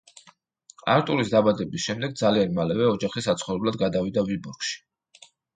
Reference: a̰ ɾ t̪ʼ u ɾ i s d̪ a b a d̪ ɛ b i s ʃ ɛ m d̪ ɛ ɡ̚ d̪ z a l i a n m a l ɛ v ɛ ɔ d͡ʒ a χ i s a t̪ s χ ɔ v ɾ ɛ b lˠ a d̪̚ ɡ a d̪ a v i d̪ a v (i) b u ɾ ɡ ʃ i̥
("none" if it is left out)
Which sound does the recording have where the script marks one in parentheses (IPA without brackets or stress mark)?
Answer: i